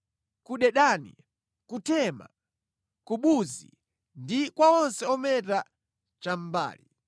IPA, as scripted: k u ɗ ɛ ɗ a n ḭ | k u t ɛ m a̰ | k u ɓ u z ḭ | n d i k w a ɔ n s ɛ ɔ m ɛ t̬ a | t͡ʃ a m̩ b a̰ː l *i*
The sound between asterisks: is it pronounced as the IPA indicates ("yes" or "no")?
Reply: yes